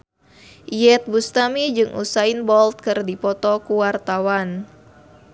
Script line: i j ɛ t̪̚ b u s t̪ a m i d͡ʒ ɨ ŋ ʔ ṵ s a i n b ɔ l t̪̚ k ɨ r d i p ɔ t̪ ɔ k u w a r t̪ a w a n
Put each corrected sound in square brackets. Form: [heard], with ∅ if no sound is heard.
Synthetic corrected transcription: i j ɛ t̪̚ b u s t̪ a m i d͡ʒ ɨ ŋ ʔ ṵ s a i n b ɔ l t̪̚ k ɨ r d i p ɔ t̪ ɔ k u w a r t̪ a w a n

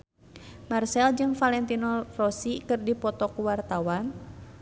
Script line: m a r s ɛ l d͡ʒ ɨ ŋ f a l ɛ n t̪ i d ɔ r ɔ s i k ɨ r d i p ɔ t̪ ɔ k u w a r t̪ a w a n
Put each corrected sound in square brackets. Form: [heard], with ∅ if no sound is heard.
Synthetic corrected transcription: m a r s ɛ l d͡ʒ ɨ ŋ f a l ɛ n t̪ i [n] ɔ r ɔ s i k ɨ r d i p ɔ t̪ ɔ k u w a r t̪ a w a n

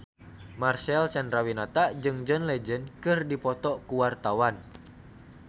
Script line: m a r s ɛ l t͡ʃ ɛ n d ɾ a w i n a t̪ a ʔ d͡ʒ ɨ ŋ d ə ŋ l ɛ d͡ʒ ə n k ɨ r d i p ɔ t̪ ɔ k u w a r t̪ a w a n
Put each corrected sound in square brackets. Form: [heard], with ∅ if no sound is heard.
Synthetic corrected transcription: m a r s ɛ l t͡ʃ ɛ n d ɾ a w i n a t̪ a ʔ d͡ʒ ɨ ŋ [d͡ʒ] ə [n] l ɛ d͡ʒ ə n k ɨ r d i p ɔ t̪ ɔ k u w a r t̪ a w a n

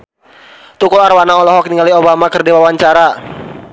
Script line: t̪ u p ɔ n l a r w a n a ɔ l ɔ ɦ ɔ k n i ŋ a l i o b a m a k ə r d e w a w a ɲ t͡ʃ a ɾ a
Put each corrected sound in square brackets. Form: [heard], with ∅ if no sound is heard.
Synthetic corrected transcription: t̪ u [k] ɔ [∅] l a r w a n a ɔ l ɔ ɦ ɔ k n i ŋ a l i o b a m a k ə r d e w a w a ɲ t͡ʃ a ɾ a

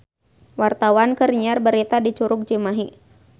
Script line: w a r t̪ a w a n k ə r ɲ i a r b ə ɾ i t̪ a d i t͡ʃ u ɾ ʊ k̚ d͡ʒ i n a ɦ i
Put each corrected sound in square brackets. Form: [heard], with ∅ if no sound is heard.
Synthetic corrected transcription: w a r t̪ a w a n k ə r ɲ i a r b ə ɾ i t̪ a d i t͡ʃ u ɾ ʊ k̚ d͡ʒ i [m] a ɦ i

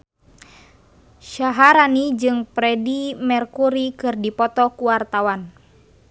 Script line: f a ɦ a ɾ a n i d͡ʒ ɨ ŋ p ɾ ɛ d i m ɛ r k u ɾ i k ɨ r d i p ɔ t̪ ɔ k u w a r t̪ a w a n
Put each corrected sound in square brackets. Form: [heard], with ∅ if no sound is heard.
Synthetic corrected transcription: [ʃ] a ɦ a ɾ a n i d͡ʒ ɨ ŋ p ɾ ɛ d i m ɛ r k u ɾ i k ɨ r d i p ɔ t̪ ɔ k u w a r t̪ a w a n

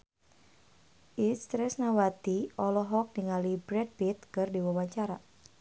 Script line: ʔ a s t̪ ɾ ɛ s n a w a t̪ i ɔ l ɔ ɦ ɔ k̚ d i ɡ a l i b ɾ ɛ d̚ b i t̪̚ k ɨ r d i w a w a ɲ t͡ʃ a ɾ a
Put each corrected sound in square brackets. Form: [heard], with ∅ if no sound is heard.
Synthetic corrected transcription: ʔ [i] s t̪ ɾ ɛ s n a w a t̪ i ɔ l ɔ ɦ ɔ k̚ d i [ŋ] a l i b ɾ ɛ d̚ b i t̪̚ k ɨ r d i w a w a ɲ t͡ʃ a ɾ a

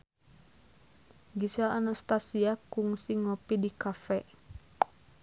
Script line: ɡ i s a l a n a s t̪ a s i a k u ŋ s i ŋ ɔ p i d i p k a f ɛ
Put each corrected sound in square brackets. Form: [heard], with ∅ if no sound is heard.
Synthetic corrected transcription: ɡ i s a l a n a s t̪ a s i a k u ŋ s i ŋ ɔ p i d i [∅] k a f ɛ

